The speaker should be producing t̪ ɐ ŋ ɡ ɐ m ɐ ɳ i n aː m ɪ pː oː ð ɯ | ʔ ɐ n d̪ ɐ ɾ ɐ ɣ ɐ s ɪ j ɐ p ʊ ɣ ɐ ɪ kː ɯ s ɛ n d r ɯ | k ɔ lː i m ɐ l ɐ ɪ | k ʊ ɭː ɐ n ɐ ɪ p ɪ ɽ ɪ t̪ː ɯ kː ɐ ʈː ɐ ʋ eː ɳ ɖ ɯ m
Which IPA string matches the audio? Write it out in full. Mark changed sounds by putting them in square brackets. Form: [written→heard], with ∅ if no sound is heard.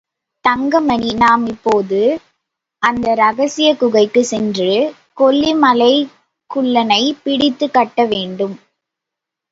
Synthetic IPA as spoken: t̪ ɐ ŋ ɡ ɐ m ɐ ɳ i n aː m ɪ pː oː ð ɯ | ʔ ɐ n d̪ ɐ ɾ ɐ ɣ ɐ s ɪ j ɐ [p→k] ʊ ɣ ɐ ɪ kː ɯ s ɛ n d r ɯ | k ɔ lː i m ɐ l ɐ ɪ | k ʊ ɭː ɐ n ɐ ɪ p ɪ ɽ ɪ t̪ː ɯ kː ɐ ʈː ɐ ʋ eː ɳ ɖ ɯ m

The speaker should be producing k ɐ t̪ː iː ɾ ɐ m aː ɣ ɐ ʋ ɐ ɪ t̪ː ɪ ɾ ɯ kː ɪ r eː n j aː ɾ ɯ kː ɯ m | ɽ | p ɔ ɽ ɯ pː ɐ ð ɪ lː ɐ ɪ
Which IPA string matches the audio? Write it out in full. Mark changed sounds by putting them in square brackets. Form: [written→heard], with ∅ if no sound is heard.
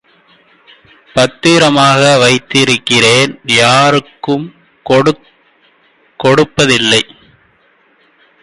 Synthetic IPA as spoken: [k→p] ɐ t̪ː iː ɾ ɐ m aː ɣ ɐ ʋ ɐ ɪ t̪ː ɪ ɾ ɯ kː ɪ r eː n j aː ɾ ɯ kː ɯ m | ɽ | [p→k] ɔ ɽ ɯ pː ɐ ð ɪ lː ɐ ɪ

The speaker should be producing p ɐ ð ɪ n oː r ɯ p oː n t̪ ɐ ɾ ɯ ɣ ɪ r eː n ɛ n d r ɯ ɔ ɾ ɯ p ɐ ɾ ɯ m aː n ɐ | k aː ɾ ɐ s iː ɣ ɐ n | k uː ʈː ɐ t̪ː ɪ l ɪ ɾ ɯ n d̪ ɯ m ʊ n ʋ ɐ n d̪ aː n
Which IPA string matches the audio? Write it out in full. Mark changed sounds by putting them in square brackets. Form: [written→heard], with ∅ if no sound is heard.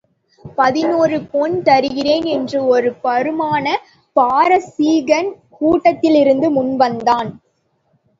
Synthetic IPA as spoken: p ɐ ð ɪ n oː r ɯ p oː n t̪ ɐ ɾ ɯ ɣ ɪ r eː n ɛ n d r ɯ ɔ ɾ ɯ p ɐ ɾ ɯ m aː n ɐ | [k→p] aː ɾ ɐ s iː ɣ ɐ n | k uː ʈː ɐ t̪ː ɪ l ɪ ɾ ɯ n d̪ ɯ m ʊ n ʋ ɐ n d̪ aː n

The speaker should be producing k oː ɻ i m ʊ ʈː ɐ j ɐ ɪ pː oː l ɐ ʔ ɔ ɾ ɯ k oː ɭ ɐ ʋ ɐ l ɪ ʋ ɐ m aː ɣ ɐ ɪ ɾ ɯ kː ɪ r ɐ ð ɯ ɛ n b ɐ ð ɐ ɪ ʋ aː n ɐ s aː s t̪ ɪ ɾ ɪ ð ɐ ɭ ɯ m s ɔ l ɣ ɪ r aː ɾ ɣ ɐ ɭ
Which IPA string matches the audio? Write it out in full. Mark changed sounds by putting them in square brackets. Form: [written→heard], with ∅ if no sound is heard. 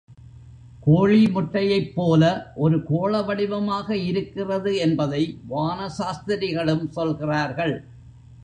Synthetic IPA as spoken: k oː ɻ i m ʊ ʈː ɐ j ɐ ɪ pː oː l ɐ ʔ ɔ ɾ ɯ k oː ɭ ɐ ʋ ɐ [l→ɽ] ɪ ʋ ɐ m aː ɣ ɐ ɪ ɾ ɯ kː ɪ r ɐ ð ɯ ɛ n b ɐ ð ɐ ɪ ʋ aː n ɐ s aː s t̪ ɪ ɾ ɪ [ð→ɣ] ɐ ɭ ɯ m s ɔ l ɣ ɪ r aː ɾ ɣ ɐ ɭ

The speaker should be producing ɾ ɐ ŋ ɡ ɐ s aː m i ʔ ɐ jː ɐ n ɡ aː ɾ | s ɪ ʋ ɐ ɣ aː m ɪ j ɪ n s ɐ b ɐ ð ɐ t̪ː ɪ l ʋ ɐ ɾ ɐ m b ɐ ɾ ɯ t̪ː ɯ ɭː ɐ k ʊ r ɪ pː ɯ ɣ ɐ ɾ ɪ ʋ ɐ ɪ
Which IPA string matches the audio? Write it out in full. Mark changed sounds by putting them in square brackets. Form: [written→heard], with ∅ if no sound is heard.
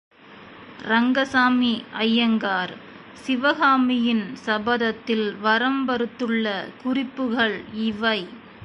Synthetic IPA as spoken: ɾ ɐ ŋ ɡ ɐ s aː m i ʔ ɐ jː ɐ [n→ŋ] ɡ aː ɾ | s ɪ ʋ ɐ ɣ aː m ɪ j ɪ n s ɐ b ɐ ð ɐ t̪ː ɪ l ʋ ɐ ɾ ɐ m b ɐ ɾ ɯ t̪ː ɯ ɭː ɐ k ʊ r ɪ pː ɯ ɣ ɐ [ɾ→ɭ] ɪ ʋ ɐ ɪ

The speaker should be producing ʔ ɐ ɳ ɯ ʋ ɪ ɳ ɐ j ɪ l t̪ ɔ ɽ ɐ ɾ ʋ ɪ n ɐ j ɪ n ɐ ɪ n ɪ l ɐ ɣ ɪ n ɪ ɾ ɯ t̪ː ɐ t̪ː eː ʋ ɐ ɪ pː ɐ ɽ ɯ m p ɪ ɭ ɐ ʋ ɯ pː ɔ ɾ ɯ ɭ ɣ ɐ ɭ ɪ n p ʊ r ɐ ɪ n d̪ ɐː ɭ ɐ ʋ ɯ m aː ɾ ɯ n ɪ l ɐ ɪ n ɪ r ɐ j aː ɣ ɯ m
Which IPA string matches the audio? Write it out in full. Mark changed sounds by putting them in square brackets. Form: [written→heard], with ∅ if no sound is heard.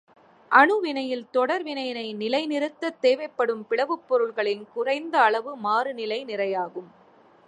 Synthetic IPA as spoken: ʔ ɐ ɳ ɯ ʋ ɪ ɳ ɐ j ɪ l t̪ ɔ ɽ ɐ ɾ ʋ ɪ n ɐ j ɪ n ɐ ɪ n ɪ l ɐ [ɣ→∅] ɪ n ɪ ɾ ɯ t̪ː ɐ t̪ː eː ʋ ɐ ɪ pː ɐ ɽ ɯ m p ɪ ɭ ɐ ʋ ɯ pː ɔ ɾ ɯ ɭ ɣ ɐ ɭ ɪ n [p→k] ʊ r ɐ ɪ n d̪ ɐː ɭ ɐ ʋ ɯ m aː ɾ ɯ n ɪ l ɐ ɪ n ɪ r ɐ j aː ɣ ɯ m

